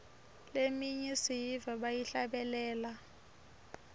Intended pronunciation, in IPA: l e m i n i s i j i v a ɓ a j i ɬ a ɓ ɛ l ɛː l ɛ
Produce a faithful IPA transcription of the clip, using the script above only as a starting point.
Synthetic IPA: l e m i ɲ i s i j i v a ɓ a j i ɬ a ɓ ɛ l ɛː l a

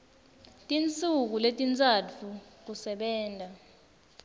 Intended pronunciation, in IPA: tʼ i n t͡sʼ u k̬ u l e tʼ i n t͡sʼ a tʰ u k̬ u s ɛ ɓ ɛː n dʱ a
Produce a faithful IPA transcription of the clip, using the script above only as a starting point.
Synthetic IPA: tʼ i n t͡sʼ u k̬ u l e tʼ i n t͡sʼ a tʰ u k̬ u s ɛ ɓ ɛː n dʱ a

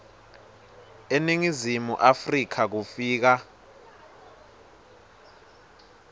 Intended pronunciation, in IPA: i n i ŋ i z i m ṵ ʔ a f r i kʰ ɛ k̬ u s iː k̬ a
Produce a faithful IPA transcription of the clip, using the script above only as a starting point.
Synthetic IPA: e n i ŋ i z i m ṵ ʔ a f r i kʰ a k̬ u f iː k̬ a

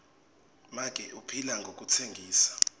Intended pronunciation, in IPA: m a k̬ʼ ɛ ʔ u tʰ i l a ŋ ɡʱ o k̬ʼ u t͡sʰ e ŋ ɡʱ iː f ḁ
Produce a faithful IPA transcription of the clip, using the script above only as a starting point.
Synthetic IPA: m a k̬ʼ ɛ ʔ u pʰ i l a ŋ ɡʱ o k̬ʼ u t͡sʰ e ŋ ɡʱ iː s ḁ

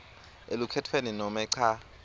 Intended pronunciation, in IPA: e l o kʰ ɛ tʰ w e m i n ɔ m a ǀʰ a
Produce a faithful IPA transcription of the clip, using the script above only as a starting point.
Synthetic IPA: e l u kʰ ɛ tʰ w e n i n ɔ m ɛ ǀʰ a

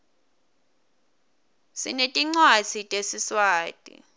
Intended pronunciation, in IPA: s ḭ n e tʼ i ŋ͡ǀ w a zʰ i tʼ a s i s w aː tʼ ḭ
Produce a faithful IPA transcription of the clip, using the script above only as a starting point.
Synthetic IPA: s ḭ n e tʼ i ŋ͡ǀ w a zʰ i tʼ e s i s w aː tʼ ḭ

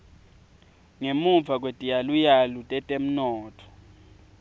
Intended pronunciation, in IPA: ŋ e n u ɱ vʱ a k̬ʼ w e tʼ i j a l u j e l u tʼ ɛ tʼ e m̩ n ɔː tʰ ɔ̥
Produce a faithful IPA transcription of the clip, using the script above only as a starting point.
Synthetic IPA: ŋ e m u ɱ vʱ a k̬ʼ w e tʼ i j a l u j a l u tʼ ɛ tʼ e m̩ n ɔː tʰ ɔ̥

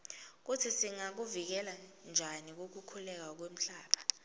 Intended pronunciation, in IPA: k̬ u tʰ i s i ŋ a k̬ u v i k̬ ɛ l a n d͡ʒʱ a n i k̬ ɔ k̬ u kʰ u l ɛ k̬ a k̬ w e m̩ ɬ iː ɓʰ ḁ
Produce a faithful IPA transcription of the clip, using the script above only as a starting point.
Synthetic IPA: k̬ u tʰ i s i ŋ a k̬ u v i k̬ ɛ l a n d͡ʒʱ a n i k̬ o k̬ u kʰ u l ɛ k̬ a k̬ w e m̩ ɬ aː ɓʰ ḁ

